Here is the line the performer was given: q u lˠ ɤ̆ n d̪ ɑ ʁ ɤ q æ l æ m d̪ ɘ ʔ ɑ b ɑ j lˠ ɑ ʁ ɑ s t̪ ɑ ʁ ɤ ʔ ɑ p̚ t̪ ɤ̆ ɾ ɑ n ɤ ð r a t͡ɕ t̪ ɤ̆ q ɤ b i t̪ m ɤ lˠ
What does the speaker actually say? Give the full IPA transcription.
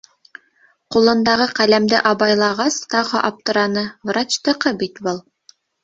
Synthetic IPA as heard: q u lˠ ɤ̆ n d̪ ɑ ʁ ɤ q æ l æ m d̪ ɘ ʔ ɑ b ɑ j lˠ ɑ ʁ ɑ s t̪ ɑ ʁ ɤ ʔ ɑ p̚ t̪ ɤ̆ ɾ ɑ n ɤ v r a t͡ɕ t̪ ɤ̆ q ɤ b i t̪ b ɤ lˠ